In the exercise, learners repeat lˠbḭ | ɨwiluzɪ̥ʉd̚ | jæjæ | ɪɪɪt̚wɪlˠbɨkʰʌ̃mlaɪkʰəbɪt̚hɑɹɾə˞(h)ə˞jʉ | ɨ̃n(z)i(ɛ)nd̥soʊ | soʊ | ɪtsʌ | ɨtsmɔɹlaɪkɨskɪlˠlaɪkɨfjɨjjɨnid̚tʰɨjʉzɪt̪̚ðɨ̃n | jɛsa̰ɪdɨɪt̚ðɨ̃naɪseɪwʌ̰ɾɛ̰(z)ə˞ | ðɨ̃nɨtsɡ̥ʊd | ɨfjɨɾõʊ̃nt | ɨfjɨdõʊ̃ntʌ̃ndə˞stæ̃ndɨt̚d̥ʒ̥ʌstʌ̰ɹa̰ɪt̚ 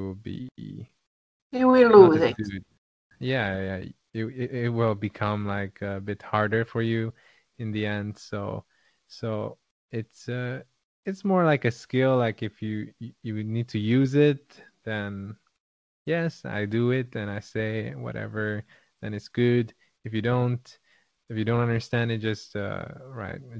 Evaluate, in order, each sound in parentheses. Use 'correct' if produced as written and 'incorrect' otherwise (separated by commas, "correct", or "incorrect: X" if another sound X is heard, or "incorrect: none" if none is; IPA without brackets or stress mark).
incorrect: f, incorrect: ð, incorrect: ɛ̃, incorrect: v